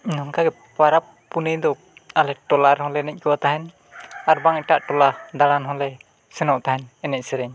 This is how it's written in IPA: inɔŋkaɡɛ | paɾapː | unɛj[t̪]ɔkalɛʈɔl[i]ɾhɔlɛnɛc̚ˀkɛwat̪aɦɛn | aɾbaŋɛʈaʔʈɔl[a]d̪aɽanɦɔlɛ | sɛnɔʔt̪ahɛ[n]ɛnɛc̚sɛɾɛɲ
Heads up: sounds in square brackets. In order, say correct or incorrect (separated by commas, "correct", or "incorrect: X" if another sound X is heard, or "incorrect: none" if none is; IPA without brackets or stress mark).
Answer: incorrect: d̪, incorrect: a, correct, correct